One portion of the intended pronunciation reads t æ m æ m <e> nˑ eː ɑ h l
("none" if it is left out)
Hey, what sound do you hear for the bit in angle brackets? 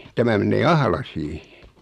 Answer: e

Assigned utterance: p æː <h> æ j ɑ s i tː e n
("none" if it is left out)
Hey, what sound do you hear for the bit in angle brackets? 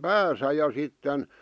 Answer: s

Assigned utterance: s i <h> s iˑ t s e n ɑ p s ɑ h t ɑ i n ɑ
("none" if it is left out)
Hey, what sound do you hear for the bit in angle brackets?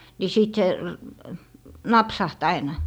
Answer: none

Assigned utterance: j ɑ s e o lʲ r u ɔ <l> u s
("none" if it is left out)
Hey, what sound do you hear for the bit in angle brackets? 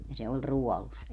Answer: l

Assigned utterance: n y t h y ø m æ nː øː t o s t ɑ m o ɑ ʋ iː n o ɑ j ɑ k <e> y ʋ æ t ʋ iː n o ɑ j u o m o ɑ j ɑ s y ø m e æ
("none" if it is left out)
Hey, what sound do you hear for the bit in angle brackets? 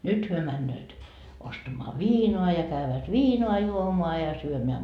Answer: æ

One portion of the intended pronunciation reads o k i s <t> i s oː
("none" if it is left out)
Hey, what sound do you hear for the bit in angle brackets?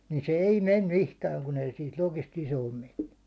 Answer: t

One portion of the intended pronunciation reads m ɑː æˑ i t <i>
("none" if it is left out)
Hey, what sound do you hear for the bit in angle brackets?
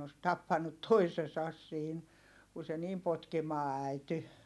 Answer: y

